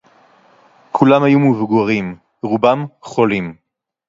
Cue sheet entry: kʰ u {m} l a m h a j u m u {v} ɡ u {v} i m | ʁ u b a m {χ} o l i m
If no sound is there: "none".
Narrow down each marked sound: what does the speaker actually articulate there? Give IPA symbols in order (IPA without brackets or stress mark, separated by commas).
none, v, ʁ, χ